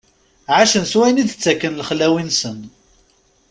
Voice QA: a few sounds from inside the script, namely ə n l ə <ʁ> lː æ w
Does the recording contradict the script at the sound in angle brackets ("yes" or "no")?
yes